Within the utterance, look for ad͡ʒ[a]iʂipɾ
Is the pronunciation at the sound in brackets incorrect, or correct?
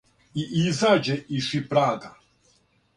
incorrect